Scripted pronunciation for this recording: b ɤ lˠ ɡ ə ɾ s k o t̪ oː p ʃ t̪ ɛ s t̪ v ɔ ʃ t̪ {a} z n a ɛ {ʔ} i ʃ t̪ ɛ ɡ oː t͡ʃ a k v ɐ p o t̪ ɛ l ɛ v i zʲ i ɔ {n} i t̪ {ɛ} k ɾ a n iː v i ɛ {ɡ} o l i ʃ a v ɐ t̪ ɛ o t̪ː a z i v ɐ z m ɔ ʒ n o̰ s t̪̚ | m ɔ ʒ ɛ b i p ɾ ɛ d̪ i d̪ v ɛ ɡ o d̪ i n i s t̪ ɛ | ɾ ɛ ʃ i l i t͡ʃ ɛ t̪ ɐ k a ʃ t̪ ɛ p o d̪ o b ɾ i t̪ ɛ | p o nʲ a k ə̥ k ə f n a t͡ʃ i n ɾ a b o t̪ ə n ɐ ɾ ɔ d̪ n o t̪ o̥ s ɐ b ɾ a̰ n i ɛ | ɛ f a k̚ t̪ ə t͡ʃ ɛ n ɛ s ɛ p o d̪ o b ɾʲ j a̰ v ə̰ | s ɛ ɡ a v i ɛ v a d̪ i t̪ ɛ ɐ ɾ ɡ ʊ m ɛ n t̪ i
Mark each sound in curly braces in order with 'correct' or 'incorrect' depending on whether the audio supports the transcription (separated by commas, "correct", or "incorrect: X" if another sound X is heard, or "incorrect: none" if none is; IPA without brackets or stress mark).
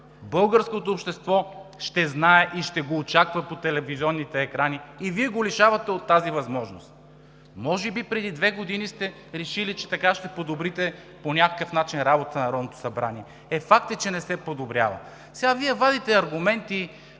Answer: incorrect: ɛ, correct, incorrect: nː, incorrect: ɛː, correct